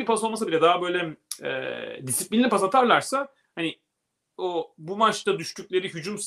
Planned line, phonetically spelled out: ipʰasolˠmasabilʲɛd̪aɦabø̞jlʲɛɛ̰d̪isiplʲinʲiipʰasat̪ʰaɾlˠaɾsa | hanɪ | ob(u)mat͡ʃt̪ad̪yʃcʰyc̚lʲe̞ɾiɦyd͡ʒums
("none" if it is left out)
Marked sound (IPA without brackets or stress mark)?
u